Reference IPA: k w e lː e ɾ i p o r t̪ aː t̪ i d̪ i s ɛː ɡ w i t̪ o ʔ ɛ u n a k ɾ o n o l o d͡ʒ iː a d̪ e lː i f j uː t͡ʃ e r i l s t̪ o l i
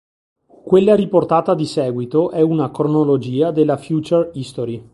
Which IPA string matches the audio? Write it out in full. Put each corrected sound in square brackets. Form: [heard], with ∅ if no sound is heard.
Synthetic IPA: k w e lː [a] ɾ i p o r t̪ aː t̪ [a] d̪ i s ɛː ɡ w i t̪ o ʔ ɛ u n a k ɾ o n o l o d͡ʒ iː a d̪ e lː [a] f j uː t͡ʃ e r i [∅] s t̪ o [ɾ] i